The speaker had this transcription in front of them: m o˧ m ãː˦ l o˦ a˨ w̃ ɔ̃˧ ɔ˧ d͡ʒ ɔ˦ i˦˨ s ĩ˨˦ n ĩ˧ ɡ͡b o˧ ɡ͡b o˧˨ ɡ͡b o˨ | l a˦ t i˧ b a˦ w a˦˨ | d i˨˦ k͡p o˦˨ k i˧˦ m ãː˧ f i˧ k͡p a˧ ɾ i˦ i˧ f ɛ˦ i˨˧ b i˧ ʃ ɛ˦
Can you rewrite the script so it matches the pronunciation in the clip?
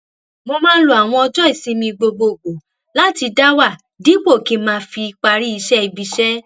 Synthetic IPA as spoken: m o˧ m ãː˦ l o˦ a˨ w̃ ɔ̃˧ ɔ˧ d͡ʒ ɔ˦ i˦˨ s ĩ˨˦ m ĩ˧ ɡ͡b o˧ ɡ͡b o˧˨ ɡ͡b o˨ | l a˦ t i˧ d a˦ w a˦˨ | d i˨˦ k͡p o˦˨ k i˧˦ m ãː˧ f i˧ k͡p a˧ ɾ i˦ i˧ ʃ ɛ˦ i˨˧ b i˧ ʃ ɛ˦